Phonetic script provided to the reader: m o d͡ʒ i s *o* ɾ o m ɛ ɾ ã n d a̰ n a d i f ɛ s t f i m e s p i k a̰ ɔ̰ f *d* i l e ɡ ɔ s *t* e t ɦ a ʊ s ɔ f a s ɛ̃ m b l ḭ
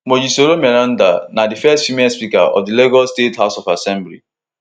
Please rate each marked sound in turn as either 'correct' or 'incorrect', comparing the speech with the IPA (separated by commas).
correct, correct, correct